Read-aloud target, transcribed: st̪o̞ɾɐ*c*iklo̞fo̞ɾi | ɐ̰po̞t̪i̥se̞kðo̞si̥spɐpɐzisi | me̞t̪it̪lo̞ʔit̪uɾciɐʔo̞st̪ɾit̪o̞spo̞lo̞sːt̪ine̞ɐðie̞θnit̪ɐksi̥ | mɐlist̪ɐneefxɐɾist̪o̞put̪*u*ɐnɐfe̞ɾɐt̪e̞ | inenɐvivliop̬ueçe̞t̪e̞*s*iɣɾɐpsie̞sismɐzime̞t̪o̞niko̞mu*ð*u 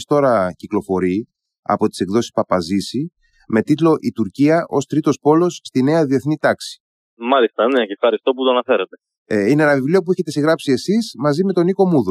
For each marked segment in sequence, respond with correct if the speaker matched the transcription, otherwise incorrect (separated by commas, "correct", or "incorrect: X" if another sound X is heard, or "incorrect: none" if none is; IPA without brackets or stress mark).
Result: correct, incorrect: o, correct, correct